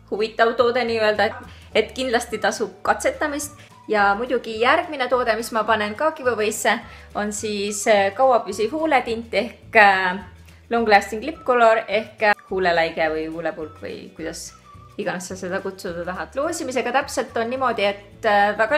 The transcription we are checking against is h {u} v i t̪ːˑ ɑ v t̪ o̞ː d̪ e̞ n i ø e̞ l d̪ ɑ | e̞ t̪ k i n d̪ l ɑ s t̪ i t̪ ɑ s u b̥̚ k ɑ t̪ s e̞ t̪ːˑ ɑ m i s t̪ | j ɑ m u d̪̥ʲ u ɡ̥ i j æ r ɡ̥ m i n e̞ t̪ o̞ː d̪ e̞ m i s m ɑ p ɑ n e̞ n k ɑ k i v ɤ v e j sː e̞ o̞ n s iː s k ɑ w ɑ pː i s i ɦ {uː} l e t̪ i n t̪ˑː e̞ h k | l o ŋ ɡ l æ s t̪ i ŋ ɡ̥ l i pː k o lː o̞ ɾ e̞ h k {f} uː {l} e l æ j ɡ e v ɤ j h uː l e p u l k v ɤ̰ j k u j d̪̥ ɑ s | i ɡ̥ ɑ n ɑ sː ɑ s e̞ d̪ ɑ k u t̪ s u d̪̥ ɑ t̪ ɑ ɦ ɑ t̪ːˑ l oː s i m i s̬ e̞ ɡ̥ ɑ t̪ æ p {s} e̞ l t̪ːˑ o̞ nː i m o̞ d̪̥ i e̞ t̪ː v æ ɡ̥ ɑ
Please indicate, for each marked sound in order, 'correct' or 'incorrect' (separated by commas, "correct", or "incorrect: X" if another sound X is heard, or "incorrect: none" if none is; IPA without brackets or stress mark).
correct, correct, incorrect: h, correct, correct